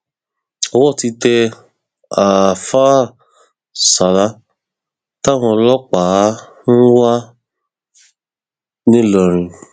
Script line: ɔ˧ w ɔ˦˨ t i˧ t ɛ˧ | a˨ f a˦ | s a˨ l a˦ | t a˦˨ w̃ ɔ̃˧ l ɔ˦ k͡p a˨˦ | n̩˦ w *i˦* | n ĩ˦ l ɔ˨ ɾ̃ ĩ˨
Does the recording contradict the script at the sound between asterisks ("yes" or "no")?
yes